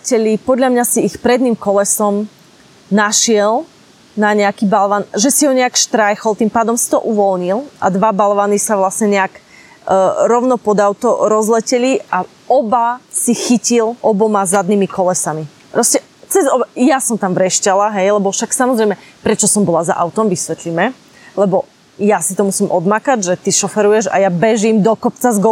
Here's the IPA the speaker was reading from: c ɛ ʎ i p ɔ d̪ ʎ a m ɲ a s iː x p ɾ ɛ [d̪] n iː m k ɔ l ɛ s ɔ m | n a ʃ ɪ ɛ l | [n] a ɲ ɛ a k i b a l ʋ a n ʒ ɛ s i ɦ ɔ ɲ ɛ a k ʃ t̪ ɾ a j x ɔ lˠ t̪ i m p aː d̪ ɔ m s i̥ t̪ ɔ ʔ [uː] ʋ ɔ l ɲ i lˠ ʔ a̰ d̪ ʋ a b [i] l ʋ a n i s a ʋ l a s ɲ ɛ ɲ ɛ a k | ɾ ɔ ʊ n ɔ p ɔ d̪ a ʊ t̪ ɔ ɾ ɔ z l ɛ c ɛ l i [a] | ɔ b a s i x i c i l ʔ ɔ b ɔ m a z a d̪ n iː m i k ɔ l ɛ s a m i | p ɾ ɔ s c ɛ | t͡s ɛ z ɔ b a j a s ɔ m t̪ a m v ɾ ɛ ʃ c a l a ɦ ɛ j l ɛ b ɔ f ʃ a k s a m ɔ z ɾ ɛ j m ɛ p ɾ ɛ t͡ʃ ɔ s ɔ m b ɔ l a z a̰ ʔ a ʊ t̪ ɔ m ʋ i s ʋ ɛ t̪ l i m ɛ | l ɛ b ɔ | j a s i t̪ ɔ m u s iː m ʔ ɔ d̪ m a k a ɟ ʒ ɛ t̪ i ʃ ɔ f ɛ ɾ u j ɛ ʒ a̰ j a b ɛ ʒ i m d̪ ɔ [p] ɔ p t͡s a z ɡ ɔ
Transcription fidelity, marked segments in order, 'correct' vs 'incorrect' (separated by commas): correct, correct, incorrect, incorrect, correct, incorrect